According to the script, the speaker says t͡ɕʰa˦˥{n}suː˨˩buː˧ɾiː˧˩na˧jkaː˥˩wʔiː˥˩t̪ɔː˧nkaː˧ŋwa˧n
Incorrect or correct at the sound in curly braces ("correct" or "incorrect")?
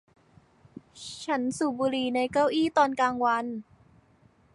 correct